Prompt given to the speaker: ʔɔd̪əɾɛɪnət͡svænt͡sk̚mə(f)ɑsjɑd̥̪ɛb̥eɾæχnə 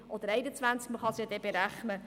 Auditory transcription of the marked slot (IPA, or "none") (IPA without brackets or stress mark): χ